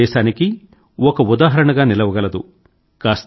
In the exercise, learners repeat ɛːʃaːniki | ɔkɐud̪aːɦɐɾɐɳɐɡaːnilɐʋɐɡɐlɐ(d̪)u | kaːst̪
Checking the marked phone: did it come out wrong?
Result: no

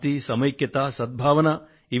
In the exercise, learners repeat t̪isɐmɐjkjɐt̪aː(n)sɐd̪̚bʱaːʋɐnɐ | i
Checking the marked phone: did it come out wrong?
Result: yes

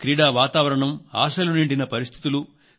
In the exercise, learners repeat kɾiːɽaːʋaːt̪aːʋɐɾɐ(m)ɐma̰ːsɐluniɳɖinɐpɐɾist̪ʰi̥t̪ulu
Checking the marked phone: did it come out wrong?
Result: yes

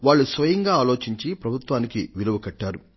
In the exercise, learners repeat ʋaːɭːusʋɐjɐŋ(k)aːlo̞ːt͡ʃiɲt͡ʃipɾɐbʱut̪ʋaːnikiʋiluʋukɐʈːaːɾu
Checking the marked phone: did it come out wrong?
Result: yes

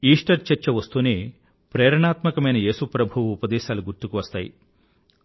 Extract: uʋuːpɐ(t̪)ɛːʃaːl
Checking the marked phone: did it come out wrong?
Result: yes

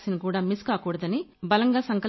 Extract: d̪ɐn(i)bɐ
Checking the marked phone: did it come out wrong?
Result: no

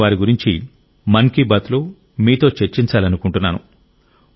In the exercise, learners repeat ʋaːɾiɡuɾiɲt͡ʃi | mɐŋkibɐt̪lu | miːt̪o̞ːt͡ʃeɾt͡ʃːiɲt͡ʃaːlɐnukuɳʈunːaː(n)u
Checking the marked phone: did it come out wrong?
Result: no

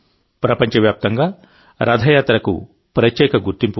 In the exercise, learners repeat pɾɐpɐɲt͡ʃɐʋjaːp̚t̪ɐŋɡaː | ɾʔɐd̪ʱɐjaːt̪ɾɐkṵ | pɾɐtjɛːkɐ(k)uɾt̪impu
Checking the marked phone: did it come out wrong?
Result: yes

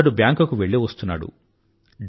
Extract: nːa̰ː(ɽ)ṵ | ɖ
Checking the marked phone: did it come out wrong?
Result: no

